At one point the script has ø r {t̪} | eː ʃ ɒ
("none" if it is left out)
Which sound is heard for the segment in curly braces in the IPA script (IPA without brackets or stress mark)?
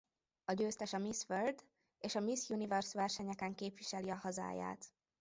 d̪